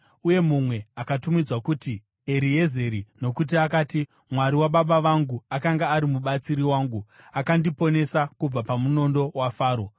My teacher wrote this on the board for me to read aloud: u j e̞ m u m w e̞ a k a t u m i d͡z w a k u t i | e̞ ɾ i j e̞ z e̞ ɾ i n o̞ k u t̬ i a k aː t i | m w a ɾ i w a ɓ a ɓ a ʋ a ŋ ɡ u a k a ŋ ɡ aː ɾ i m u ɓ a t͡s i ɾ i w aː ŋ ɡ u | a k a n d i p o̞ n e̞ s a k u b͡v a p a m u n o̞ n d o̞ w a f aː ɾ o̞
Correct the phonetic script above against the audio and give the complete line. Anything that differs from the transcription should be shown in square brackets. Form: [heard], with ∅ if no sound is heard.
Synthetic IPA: u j e̞ m u m w e̞ a k a t u m i d͡z w a k u t i | e̞ ɾ i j e̞ z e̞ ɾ i n o̞ k u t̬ i a k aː t i | m w a ɾ i w a ɓ a ɓ a ʋ a ŋ ɡ u a k a ŋ ɡ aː ɾ i m u ɓ a t͡s i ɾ i w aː ŋ ɡ u | a k a n d i p o̞ n e̞ s a k u b͡v a p a m u n o̞ n d o̞ w a f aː ɾ o̞